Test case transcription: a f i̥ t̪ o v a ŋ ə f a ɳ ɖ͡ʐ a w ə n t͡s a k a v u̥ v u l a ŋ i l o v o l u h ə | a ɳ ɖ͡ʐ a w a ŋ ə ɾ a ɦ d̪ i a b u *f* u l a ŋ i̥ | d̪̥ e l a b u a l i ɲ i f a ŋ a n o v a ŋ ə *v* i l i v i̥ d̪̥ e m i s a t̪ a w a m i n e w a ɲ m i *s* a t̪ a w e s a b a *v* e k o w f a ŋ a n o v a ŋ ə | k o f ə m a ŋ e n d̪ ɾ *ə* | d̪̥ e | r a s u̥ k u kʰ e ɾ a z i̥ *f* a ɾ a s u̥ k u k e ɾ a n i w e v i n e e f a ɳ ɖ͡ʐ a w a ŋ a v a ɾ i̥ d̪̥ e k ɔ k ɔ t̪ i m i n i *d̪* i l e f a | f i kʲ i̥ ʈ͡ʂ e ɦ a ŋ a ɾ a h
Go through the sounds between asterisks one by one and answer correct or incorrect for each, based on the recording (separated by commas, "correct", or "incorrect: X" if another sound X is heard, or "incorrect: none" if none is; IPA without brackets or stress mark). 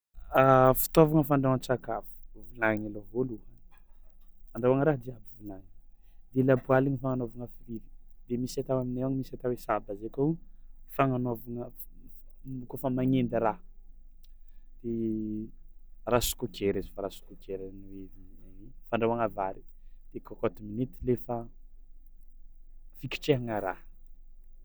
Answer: incorrect: v, incorrect: f, correct, incorrect: z, incorrect: a, correct, incorrect: t̪